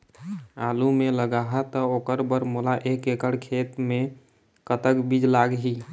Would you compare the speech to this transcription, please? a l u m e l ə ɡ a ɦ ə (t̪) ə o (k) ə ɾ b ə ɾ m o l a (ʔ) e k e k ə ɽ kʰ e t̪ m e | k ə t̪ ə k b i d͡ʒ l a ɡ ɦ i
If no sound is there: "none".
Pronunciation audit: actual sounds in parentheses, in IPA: t̪, k, ʔ

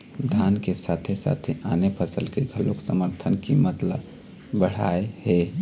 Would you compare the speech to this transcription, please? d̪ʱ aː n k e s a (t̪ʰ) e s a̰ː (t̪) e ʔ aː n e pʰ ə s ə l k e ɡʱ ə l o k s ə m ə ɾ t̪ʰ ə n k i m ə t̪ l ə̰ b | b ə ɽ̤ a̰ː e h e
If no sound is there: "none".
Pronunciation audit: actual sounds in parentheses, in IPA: t̪ʰ, t̪ʰ

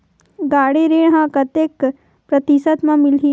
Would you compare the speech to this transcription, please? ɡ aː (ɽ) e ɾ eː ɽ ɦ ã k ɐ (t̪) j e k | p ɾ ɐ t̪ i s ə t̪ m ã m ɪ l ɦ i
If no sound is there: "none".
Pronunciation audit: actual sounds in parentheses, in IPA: ɽ, t̪

